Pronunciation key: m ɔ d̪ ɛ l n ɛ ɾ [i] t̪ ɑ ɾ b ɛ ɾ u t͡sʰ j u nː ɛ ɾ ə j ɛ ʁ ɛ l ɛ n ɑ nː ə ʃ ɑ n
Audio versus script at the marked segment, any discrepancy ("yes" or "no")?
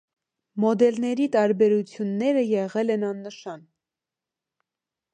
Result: no